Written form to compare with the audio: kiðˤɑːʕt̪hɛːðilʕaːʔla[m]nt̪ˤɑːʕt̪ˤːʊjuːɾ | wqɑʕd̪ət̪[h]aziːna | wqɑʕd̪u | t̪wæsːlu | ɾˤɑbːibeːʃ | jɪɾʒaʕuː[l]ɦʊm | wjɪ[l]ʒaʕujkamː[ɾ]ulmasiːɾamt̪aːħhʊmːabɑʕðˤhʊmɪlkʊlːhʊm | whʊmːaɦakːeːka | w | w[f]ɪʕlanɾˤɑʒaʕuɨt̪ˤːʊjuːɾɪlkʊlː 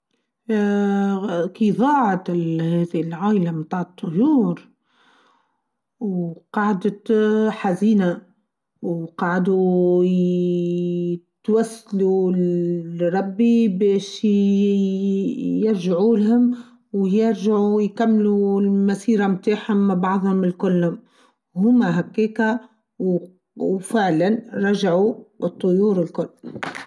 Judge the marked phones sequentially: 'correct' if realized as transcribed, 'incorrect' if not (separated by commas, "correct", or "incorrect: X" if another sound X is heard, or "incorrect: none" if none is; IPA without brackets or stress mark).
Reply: correct, incorrect: ħ, correct, incorrect: ɾ, incorrect: l, correct